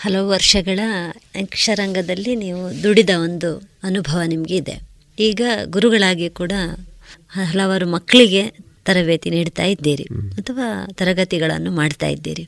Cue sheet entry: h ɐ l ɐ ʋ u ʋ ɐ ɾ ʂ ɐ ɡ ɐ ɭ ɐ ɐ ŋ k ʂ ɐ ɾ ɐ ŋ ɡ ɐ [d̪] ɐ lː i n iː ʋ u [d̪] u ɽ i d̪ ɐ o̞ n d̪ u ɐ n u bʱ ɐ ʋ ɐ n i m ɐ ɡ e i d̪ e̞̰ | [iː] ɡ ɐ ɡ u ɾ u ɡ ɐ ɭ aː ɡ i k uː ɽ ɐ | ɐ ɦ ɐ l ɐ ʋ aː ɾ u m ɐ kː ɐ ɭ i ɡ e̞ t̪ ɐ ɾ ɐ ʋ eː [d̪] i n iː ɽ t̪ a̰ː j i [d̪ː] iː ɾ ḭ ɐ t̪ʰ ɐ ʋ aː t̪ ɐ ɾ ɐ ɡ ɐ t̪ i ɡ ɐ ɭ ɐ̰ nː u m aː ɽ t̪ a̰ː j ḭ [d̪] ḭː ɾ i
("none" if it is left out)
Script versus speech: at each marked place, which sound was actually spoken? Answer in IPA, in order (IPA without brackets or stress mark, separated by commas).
d̪, d̪, iː, t̪, d̪ː, d̪ː